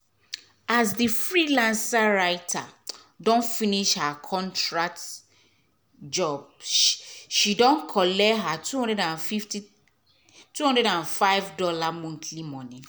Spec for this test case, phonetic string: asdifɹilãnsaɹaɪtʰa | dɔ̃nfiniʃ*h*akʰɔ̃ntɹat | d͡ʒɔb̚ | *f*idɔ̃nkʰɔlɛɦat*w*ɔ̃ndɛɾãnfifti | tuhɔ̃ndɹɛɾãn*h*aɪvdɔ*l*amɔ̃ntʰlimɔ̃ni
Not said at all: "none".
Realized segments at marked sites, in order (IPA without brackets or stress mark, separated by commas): h, ʃ, u, f, l